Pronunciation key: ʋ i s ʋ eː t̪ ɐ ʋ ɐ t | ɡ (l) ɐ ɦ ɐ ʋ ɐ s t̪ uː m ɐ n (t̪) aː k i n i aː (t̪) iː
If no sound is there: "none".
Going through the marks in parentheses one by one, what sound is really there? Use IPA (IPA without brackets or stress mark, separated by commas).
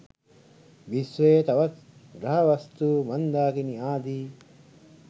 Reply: ɾ, d̪, d̪